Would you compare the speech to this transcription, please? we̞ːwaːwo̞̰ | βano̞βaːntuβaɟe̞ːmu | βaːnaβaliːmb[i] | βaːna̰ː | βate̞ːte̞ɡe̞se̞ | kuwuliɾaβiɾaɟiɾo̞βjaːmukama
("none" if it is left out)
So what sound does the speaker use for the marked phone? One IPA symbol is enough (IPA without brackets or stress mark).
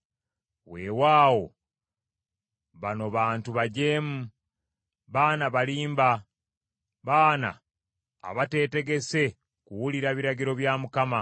a